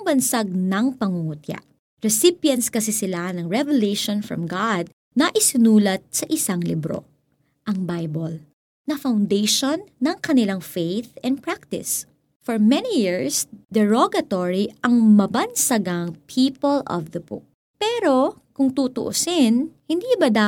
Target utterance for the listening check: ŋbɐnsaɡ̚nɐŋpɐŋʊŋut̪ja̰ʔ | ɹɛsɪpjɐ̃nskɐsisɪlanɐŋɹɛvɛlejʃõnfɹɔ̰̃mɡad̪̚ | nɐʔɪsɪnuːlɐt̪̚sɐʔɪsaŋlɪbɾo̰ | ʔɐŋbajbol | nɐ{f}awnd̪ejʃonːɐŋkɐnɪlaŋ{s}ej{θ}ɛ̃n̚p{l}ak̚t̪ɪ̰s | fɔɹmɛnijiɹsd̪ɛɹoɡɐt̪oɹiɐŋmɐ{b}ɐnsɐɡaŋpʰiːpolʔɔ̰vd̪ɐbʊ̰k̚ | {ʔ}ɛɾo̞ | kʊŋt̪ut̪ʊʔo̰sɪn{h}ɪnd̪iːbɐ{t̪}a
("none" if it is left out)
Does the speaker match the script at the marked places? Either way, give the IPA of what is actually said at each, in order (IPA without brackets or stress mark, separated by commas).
f, f, θ, ɹ, b, p, h, d̪